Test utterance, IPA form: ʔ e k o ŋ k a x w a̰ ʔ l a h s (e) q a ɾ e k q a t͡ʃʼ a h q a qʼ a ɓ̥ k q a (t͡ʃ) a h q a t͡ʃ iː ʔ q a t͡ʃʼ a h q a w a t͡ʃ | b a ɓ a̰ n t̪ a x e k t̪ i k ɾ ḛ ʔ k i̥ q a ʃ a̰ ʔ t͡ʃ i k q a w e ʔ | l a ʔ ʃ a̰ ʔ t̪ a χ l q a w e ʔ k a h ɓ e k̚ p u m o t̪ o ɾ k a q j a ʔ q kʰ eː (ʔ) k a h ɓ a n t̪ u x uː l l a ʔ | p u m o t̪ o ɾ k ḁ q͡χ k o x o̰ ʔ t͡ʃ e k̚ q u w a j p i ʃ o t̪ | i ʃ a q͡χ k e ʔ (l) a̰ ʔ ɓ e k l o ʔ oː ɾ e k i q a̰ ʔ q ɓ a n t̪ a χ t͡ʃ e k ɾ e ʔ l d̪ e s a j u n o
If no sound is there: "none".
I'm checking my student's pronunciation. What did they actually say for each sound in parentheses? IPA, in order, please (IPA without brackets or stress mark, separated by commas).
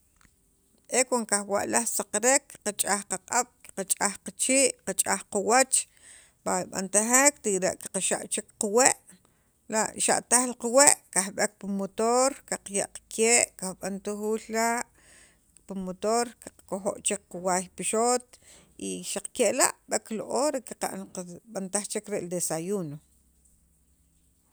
a, t͡ʃʼ, ʔ, l